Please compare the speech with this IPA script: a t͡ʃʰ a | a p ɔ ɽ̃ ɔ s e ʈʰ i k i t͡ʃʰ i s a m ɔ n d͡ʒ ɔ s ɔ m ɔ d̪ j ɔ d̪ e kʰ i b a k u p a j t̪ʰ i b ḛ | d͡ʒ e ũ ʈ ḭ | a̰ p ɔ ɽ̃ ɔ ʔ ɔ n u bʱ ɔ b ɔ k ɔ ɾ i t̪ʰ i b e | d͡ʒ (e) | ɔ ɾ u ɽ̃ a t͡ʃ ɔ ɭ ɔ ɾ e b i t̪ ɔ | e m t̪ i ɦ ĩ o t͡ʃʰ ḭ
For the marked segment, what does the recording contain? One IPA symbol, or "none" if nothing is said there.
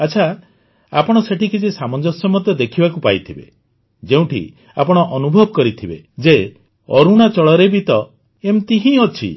e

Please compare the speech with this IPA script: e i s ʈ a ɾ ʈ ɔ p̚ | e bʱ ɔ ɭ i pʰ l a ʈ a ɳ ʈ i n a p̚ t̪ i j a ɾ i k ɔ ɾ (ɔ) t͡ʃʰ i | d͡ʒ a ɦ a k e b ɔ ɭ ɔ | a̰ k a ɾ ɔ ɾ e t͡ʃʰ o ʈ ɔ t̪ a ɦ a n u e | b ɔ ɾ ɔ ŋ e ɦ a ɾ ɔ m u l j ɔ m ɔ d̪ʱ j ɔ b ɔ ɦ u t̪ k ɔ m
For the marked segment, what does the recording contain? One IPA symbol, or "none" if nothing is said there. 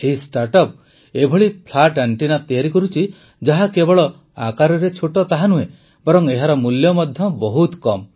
u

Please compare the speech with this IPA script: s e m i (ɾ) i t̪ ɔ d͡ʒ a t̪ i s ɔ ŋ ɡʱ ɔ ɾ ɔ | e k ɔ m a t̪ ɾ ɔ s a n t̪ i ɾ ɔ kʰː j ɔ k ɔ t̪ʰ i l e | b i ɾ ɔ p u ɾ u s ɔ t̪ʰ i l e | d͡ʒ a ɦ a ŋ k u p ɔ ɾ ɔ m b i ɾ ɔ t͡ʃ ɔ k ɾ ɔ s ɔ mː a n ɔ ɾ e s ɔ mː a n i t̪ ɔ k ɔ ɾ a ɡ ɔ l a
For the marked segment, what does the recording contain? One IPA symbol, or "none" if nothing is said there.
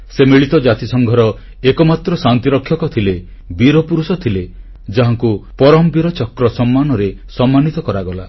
ɭ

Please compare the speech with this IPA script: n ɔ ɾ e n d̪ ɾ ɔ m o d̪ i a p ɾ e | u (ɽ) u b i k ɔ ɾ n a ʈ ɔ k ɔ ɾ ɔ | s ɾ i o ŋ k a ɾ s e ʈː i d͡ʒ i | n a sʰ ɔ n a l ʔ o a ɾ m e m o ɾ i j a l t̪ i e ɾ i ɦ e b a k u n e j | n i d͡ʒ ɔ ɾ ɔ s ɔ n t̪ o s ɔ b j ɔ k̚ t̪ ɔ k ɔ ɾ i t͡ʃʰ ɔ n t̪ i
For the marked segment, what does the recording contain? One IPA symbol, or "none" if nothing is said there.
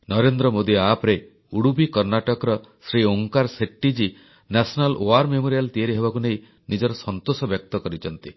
ɽ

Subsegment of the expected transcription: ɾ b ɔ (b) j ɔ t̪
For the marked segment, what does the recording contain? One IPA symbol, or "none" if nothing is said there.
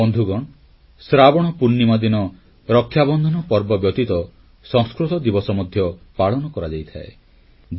b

